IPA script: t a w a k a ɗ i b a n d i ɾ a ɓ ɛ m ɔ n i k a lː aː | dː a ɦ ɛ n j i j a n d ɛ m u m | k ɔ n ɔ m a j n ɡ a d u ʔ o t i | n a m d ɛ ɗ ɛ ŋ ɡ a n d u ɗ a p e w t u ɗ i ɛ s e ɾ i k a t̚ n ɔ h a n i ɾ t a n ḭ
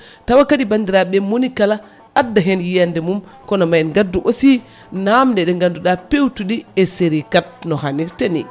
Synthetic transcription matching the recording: t a w a k a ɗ i b a n d i ɾ a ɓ ɛ m o n i k a l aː | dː a ɦ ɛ n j i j a n d ɛ m u m | k ɔ n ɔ m a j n ɡ a d u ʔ o s i | n a m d ɛ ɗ ɛ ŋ ɡ a n d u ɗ a p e w t u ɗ i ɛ s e ɾ i k a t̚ n ɔ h a n i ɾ t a n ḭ

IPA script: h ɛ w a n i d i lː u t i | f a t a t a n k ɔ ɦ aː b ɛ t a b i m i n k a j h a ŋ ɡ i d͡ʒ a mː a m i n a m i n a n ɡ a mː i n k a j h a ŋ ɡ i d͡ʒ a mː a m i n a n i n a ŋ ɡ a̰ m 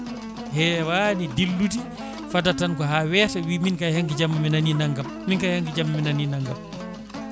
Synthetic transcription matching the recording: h ɛ w a n i d i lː u t i | f a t a t a n k ɔ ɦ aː w ɛ t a w i m i n k a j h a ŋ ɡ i d͡ʒ a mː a m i n a n i n a ŋ ɡ a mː i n k a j h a ŋ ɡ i d͡ʒ a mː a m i n a n i n a ŋ ɡ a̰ m

